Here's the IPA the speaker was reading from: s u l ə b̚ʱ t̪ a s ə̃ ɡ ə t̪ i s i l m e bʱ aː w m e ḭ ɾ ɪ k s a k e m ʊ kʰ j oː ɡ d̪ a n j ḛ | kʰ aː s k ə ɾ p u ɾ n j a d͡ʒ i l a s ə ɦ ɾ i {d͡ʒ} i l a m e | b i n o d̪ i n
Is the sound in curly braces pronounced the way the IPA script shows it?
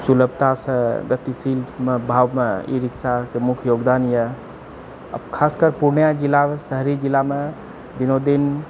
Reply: yes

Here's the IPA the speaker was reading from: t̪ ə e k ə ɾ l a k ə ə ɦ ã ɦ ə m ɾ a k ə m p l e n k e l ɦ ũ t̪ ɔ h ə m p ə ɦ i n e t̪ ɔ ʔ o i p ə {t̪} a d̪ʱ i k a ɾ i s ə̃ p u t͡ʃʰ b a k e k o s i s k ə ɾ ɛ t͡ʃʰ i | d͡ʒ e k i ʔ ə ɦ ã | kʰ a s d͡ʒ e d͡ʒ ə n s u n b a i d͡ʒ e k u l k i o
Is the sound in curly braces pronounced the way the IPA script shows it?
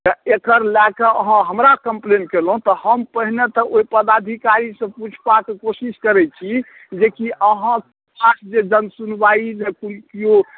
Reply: no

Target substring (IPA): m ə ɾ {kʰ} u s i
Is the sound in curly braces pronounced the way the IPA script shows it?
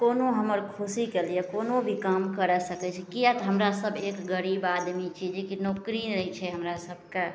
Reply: yes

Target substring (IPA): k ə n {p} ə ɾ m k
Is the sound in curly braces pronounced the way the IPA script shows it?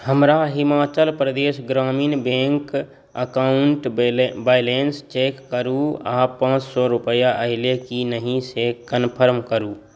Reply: no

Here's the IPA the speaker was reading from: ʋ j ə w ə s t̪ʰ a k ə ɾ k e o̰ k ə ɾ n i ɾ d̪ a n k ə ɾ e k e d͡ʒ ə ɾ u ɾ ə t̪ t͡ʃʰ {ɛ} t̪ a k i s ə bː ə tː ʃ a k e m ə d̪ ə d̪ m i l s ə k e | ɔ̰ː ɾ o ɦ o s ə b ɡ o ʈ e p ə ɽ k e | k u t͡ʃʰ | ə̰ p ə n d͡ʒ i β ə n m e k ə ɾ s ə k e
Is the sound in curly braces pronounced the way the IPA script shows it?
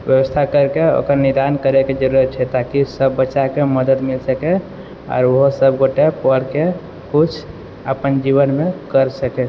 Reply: yes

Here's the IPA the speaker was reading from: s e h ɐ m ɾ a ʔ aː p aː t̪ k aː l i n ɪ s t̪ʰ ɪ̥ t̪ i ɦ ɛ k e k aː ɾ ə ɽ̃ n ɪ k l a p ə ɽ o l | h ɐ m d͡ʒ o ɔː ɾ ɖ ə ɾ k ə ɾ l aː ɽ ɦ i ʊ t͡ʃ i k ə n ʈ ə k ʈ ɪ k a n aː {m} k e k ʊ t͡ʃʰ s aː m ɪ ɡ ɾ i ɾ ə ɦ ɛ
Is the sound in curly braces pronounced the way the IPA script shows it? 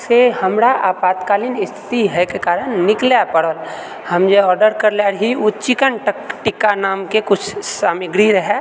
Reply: yes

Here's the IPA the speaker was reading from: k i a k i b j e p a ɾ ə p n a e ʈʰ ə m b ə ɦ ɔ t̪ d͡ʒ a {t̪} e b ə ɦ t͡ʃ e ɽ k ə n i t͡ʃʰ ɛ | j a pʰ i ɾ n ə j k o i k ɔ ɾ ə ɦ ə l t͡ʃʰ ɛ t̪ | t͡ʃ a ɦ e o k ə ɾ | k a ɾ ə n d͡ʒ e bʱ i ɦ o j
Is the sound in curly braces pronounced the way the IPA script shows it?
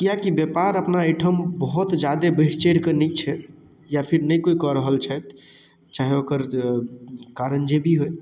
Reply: no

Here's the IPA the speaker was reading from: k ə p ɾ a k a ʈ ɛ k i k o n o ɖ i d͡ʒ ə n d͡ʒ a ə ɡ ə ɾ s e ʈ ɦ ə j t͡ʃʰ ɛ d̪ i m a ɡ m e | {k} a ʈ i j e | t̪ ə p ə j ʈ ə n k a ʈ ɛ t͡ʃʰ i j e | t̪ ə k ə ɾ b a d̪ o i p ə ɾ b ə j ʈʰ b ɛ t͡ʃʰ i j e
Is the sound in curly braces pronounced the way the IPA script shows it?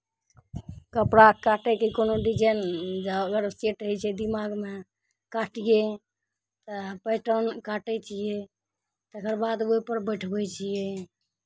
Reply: yes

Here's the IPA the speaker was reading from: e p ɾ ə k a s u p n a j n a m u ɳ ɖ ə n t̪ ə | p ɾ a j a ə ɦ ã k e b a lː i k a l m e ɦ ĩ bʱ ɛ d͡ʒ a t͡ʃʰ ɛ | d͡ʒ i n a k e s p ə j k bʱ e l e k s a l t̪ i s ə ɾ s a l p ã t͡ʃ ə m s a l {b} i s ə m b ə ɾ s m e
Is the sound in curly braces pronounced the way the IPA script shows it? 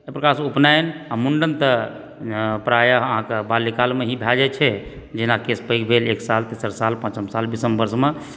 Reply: yes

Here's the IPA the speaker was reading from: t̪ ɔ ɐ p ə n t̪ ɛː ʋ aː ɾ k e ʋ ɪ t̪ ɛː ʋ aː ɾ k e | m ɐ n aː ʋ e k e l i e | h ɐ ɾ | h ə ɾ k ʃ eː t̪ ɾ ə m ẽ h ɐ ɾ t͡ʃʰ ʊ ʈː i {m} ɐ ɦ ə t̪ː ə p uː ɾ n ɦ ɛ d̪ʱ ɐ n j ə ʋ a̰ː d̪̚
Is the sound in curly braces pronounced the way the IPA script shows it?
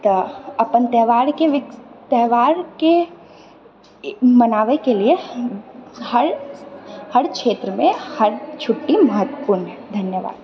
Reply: yes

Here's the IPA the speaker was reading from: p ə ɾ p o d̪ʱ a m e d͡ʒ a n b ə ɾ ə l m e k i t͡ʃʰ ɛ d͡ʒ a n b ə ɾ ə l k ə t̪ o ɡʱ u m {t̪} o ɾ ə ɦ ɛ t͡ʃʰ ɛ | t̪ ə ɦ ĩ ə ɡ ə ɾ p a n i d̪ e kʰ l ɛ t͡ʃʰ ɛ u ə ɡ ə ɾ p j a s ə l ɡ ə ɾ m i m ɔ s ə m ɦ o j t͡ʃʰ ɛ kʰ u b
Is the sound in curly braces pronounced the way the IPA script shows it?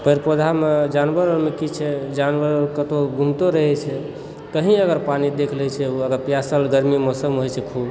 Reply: yes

